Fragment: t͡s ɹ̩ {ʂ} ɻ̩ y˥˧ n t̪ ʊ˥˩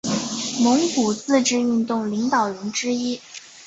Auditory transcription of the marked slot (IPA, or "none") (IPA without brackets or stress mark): ʈ͡ʂ